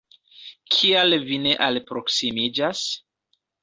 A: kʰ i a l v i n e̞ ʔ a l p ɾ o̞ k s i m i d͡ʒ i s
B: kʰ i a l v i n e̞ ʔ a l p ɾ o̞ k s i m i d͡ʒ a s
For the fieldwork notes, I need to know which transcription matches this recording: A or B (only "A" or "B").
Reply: B